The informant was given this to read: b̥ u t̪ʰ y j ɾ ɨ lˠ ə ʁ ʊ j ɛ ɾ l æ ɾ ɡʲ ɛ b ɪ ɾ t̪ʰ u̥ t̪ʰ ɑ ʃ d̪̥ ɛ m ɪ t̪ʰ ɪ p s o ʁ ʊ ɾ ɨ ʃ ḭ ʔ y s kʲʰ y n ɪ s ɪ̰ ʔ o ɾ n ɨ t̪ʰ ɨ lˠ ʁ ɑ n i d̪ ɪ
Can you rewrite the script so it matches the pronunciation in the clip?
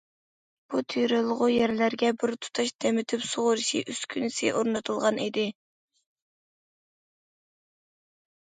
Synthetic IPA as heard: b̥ u t̪ʰ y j ɾ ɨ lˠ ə ʁ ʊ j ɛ ɾ l æ ɾ ɡʲ ɛ b ɪ ɾ t̪ʰ u̥ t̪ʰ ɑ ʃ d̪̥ ɛ m ɪ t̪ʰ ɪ p s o ʁ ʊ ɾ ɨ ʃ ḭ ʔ y s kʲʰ y n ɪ s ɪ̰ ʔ o ɾ n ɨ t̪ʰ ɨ lˠ ʁ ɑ n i d̪ ɪ